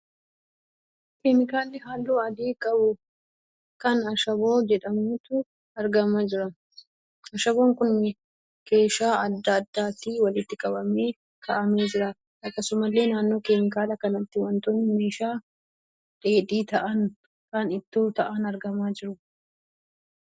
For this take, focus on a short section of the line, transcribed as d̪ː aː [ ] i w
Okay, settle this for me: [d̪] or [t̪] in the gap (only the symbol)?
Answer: t̪